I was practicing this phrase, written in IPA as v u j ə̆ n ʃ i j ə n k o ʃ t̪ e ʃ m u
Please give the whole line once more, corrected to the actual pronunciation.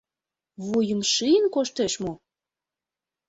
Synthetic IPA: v u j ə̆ m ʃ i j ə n k o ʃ t̪ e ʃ m o